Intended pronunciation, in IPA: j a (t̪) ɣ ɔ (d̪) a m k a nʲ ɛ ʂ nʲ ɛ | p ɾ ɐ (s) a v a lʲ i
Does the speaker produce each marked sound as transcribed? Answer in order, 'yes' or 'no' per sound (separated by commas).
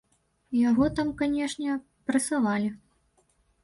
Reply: no, no, yes